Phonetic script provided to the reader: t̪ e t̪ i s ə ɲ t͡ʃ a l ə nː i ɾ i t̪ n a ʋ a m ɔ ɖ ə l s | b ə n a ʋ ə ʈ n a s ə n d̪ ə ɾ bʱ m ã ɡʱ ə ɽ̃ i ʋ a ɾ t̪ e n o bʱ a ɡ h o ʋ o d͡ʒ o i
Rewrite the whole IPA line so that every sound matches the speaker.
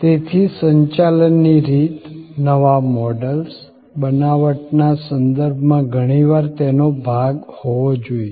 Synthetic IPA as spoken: t̪ e t̪ʰ i s ə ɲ t͡ʃ a l ə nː i ɾ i t̪ n ə ʋ a m ɔ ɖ ə l s | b ə n a ʋ ə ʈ n a s ə n d̪ ə ɾ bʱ m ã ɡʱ ə ɽ̃ i ʋ a ɾ t̪ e n o bʱ a ɡ h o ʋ o d͡ʒ o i